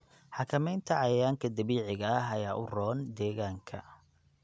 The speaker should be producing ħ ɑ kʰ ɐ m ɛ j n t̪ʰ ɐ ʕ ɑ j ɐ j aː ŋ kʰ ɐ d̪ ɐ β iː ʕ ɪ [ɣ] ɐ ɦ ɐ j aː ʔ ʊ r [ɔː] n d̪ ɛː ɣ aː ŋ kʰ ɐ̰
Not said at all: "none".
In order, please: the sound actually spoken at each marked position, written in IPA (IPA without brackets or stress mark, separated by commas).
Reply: ɣ, ɔː